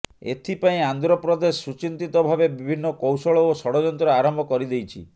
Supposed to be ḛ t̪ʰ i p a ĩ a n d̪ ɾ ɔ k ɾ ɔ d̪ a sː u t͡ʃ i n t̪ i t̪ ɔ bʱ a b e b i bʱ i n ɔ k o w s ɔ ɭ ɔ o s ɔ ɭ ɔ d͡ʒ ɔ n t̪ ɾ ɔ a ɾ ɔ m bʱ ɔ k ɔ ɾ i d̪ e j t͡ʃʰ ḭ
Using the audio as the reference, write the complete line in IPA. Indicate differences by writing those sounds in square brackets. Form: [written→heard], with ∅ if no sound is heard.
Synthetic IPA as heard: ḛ t̪ʰ i p a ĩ a n d̪ ɾ ɔ [k→p] ɾ ɔ d̪ [a→e] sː u t͡ʃ i n t̪ i t̪ ɔ bʱ a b e b i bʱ i [n→nː] ɔ k o w s ɔ ɭ ɔ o s ɔ [ɭ→ɽ] ɔ d͡ʒ ɔ n t̪ ɾ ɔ a ɾ ɔ m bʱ ɔ k ɔ ɾ i d̪ e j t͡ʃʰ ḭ